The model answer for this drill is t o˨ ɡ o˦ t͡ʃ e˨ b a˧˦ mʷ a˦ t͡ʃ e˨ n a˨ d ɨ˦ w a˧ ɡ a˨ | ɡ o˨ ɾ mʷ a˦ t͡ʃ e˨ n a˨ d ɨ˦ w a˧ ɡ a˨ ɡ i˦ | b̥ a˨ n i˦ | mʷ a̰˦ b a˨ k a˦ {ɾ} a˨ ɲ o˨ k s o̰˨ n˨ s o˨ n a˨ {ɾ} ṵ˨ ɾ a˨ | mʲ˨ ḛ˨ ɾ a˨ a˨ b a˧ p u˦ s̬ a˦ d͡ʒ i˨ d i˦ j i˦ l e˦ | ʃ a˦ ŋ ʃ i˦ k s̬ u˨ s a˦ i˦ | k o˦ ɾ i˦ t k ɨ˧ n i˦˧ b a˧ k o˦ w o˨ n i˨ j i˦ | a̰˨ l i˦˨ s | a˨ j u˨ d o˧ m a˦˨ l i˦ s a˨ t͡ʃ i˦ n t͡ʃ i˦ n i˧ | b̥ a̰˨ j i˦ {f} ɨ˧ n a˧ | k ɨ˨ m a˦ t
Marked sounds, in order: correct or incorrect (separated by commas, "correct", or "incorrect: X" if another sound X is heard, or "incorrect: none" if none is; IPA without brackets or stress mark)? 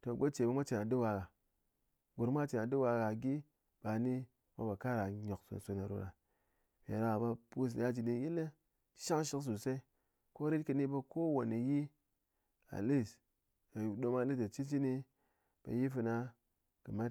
correct, correct, correct